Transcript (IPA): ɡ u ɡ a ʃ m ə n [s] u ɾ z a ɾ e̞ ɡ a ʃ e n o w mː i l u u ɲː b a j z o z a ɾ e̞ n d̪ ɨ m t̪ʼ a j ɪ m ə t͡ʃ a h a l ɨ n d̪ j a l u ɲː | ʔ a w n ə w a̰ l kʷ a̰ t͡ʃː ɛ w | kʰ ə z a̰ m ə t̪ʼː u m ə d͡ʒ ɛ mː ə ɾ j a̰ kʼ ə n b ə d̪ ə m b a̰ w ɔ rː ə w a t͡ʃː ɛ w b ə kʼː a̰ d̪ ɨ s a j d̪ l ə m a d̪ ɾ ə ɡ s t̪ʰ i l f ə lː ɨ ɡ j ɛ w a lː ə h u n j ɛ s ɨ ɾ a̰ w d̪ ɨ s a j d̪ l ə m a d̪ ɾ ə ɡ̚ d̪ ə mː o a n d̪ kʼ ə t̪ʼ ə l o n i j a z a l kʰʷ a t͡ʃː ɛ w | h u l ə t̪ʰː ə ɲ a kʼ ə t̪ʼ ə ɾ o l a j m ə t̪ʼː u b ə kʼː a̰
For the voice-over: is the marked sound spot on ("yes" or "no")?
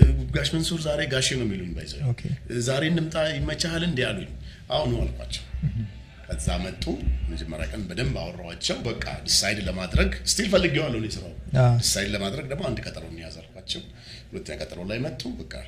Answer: yes